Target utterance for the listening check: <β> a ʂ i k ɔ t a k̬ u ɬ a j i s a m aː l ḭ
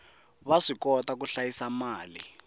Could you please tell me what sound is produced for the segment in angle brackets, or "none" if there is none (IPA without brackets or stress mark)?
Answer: β